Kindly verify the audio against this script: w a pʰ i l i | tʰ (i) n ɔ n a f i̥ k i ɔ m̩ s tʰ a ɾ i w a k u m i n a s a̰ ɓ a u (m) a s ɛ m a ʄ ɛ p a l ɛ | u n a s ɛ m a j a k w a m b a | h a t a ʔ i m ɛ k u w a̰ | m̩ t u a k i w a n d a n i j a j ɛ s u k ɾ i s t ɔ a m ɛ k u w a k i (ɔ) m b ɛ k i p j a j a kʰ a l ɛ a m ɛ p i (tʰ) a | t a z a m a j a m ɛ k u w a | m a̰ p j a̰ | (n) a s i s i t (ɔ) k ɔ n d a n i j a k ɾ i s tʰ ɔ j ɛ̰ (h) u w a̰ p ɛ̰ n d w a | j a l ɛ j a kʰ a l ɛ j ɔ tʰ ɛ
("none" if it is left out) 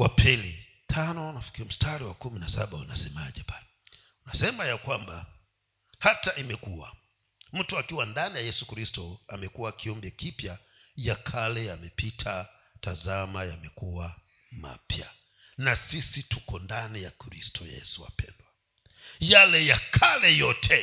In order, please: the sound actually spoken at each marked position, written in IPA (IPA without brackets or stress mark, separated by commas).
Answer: a, n, ɔ, tʰ, n, u, s